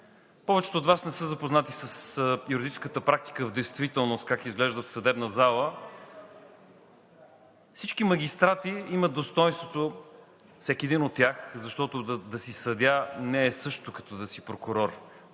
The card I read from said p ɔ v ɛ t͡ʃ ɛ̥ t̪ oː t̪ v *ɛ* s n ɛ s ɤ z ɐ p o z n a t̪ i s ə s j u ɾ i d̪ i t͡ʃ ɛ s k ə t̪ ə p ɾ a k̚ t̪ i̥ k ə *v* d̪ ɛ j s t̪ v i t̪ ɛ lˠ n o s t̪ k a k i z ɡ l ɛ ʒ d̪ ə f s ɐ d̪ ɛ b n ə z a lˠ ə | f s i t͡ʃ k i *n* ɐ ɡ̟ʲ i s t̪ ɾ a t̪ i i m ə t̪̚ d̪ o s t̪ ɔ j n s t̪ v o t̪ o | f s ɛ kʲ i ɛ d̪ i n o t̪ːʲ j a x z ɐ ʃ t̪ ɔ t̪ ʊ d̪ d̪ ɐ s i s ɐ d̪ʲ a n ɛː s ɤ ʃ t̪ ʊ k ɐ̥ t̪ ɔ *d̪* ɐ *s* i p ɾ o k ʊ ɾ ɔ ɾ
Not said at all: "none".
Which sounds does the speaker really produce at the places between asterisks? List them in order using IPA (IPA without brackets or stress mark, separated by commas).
a, v, m, d̪, s